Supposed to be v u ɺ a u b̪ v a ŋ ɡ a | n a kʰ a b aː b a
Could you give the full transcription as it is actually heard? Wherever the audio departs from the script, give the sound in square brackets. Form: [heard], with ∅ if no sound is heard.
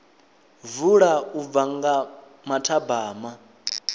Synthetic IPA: v u ɺ a u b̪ v a ŋ ɡ a | [m] a [tʰ] a b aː [m] a